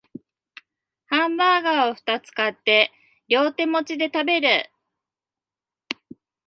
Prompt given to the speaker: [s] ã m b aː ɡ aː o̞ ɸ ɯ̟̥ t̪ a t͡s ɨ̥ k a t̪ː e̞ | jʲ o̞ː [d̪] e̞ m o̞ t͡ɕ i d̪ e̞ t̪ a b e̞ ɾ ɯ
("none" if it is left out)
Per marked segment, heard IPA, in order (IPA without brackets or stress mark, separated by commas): h, t̪